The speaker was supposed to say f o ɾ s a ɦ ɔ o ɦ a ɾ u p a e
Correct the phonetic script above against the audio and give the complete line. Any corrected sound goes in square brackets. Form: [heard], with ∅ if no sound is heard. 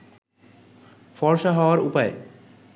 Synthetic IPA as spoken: f [ɔ] ɾ [ʃ] a ɦ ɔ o [∅] a ɾ u p a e